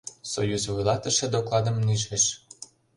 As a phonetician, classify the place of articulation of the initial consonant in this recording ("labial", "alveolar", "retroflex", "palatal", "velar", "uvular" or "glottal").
alveolar